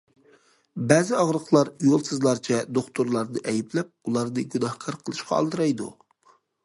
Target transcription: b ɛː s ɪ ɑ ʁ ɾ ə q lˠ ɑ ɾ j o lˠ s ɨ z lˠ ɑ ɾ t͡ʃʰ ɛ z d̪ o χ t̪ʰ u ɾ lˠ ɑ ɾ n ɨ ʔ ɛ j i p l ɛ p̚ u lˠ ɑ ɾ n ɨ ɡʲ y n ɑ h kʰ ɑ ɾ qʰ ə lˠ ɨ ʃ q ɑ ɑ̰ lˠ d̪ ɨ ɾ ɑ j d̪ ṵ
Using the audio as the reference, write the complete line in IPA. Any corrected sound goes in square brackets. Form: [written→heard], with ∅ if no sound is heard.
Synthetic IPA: b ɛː [s→z] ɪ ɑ ʁ ɾ ə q lˠ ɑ ɾ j o lˠ s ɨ z lˠ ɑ ɾ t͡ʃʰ ɛ [z→∅] d̪ o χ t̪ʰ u ɾ lˠ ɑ ɾ n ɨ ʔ ɛ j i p l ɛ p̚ u lˠ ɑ ɾ n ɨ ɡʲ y n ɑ h kʰ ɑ ɾ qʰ ə lˠ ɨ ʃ q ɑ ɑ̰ lˠ d̪ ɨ ɾ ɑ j d̪ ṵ